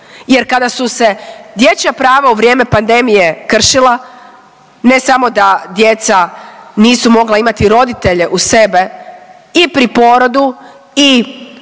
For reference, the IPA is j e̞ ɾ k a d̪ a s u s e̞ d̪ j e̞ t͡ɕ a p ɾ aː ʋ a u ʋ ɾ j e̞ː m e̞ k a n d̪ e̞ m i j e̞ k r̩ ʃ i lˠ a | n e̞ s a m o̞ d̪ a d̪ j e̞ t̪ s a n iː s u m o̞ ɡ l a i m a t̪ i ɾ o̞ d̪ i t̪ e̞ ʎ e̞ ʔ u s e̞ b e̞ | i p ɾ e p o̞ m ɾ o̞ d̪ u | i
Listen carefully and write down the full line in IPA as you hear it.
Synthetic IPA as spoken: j e̞ ɾ k a d̪ a s u s e̞ d̪ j e̞ t͡ɕ a p ɾ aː ʋ a u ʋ ɾ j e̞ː m e̞ p a n d̪ e̞ m i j e̞ k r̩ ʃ i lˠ a | n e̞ s a m o̞ d̪ a d̪ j e̞ t̪ s a n iː s u m o̞ ɡ l a i m a t̪ i ɾ o̞ d̪ i t̪ e̞ ʎ e̞ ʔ u s e̞ b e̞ | i p ɾ i p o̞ ɾ o̞ d̪ u | i